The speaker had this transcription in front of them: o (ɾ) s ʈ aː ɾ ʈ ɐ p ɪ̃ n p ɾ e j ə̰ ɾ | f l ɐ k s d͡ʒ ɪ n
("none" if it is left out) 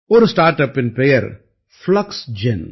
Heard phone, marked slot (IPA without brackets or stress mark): ɾ